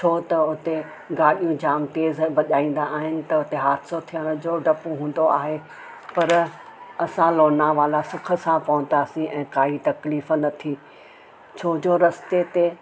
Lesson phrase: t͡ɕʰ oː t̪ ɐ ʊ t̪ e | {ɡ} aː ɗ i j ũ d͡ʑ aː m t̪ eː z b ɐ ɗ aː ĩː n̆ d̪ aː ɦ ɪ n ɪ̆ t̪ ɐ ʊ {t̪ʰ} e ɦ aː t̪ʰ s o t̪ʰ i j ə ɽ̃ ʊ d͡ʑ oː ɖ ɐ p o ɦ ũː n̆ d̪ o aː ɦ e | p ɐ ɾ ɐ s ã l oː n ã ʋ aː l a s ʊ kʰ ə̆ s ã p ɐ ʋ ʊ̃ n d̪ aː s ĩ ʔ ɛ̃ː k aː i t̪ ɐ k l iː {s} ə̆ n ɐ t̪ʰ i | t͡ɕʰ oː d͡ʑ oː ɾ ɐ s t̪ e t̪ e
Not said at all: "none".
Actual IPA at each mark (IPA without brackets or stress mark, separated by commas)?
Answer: ɡ, t̪, f